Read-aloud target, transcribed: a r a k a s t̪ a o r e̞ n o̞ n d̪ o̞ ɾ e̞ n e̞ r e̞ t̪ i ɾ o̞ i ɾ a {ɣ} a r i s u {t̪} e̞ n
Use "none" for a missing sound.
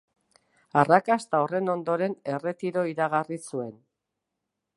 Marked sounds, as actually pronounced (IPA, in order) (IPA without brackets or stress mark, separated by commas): ɣ, none